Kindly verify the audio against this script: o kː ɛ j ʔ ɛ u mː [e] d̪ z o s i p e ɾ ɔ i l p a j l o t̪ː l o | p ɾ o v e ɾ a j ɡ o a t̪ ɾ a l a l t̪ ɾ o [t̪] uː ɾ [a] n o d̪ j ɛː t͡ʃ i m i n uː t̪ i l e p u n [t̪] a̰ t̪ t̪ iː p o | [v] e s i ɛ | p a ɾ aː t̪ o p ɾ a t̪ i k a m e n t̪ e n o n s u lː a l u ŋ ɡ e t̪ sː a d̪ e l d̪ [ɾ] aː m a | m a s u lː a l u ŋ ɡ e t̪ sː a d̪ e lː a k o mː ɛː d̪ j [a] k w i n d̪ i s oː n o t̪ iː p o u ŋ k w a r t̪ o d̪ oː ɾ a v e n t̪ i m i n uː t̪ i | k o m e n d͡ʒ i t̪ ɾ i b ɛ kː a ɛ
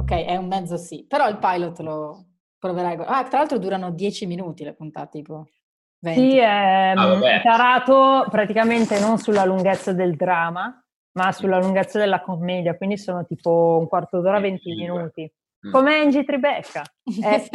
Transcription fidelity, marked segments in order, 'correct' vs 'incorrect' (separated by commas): incorrect, incorrect, correct, correct, correct, correct, correct